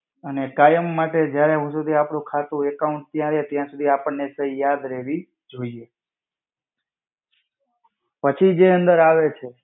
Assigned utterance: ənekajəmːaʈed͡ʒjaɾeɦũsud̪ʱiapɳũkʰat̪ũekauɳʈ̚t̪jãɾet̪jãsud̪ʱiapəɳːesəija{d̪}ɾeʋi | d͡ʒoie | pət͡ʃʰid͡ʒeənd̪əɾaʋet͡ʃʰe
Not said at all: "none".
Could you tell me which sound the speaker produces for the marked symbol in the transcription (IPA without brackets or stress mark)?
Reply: d̪